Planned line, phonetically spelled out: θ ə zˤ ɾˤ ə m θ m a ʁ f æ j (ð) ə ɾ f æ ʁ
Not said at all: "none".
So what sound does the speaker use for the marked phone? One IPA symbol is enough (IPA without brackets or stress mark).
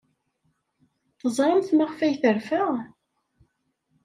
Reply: θ